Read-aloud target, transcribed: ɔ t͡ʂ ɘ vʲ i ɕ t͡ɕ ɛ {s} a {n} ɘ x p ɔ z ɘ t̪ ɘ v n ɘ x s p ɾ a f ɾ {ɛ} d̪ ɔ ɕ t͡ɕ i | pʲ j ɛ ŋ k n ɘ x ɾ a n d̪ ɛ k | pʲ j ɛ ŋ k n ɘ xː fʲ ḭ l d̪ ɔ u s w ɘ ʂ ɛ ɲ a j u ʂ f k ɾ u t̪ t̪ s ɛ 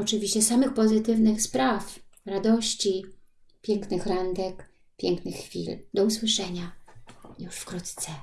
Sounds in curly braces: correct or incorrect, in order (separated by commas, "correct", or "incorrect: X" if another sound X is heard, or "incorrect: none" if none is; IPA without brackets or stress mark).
correct, incorrect: m, incorrect: a